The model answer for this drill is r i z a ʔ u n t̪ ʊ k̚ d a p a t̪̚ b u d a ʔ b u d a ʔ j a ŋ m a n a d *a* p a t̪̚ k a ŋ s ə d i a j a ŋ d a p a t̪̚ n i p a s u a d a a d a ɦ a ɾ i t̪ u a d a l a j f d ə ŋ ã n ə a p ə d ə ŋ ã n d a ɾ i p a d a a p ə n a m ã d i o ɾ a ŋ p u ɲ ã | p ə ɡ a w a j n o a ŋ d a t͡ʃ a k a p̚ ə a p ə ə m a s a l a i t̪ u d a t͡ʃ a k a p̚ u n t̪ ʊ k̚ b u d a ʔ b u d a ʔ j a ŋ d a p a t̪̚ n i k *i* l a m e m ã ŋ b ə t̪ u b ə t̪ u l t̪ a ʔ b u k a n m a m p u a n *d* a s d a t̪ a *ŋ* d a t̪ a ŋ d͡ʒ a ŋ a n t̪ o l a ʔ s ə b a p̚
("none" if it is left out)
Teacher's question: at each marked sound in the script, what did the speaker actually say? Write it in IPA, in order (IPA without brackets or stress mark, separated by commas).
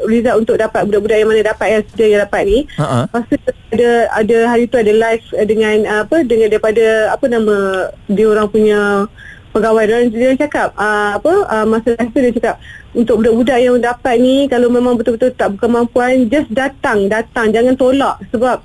a, a, d͡ʒ, ŋ